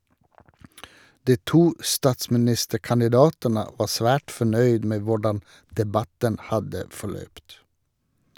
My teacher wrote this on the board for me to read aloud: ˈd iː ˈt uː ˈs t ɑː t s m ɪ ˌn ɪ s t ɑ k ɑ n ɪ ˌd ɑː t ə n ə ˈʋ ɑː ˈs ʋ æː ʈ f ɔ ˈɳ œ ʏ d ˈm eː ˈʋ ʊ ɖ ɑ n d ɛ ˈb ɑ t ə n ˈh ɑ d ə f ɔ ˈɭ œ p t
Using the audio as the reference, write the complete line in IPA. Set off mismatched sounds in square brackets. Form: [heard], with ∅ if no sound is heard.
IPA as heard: ˈd iː ˈt uː ˈs t ɑː t s m ɪ ˌn ɪ s t [ə] k ɑ n ɪ ˌd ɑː t ə n ə ˈʋ ɑː ˈs ʋ æː ʈ f ɔ ˈɳ œ ʏ d ˈm eː ˈʋ ʊ ɖ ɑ n d ɛ ˈb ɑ t ə n ˈh ɑ d ə f ɔ ˈɭ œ p t